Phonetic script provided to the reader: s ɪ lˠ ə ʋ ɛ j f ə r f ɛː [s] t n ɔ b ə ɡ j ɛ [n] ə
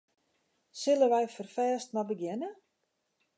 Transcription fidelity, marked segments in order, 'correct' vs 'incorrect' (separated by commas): correct, correct